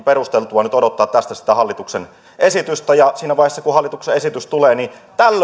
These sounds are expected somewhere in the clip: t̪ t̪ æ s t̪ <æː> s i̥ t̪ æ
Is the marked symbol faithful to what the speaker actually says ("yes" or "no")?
no